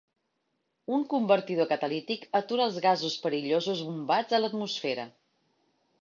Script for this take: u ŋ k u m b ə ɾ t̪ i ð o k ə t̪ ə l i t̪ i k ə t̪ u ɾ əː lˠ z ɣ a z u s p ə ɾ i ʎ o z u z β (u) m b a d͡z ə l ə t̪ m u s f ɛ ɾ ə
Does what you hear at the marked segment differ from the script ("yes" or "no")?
no